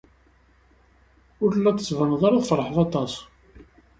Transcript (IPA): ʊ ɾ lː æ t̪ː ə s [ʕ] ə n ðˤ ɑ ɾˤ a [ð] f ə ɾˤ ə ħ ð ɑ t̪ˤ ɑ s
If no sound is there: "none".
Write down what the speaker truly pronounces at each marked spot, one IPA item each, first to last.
v, ð

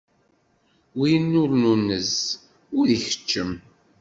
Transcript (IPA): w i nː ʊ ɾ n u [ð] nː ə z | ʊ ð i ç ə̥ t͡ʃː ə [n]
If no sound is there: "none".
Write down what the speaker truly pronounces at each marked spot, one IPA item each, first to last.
none, m

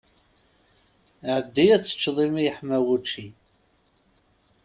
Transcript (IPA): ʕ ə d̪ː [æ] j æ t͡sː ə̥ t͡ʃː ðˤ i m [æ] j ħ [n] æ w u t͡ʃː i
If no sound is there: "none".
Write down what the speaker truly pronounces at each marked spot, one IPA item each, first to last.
i, i, m

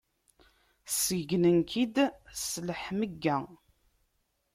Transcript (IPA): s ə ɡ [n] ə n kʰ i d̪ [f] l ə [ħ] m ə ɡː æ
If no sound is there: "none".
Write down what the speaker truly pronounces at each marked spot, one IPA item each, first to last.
n, s, ħ

